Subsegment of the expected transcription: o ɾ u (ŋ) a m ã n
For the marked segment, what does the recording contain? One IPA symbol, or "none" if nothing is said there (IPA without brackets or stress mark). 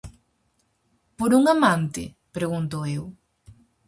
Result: ŋ